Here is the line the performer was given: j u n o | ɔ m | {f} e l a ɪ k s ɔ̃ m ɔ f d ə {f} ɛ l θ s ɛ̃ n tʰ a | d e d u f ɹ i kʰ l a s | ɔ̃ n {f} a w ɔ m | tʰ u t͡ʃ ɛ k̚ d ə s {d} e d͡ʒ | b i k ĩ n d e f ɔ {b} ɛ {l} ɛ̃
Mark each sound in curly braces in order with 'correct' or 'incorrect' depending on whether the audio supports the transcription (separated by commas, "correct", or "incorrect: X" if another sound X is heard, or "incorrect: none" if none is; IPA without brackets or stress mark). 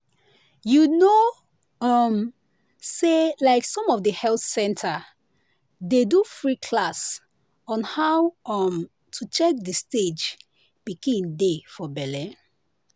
incorrect: s, incorrect: h, incorrect: h, incorrect: t, correct, correct